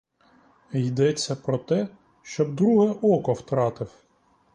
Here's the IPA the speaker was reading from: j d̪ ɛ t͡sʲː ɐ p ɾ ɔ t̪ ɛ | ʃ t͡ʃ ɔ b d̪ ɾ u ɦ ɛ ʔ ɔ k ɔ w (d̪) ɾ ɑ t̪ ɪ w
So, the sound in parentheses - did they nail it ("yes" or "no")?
no